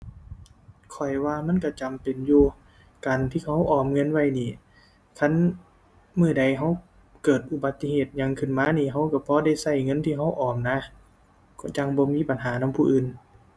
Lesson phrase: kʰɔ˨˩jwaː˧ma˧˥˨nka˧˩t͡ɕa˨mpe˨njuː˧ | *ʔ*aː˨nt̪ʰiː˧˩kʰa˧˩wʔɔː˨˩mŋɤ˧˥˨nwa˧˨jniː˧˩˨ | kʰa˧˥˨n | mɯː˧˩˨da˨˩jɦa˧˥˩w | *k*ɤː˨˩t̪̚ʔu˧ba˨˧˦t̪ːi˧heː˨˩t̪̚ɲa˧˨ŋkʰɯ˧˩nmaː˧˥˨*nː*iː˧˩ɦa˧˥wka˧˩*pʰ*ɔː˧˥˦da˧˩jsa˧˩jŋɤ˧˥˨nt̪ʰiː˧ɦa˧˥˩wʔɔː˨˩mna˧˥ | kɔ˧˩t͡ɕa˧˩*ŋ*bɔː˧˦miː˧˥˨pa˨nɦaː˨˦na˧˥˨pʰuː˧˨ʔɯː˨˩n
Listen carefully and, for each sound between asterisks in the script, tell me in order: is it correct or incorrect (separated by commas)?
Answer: incorrect, correct, incorrect, correct, correct